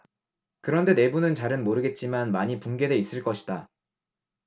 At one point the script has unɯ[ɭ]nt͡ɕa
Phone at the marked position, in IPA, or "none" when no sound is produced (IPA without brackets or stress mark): none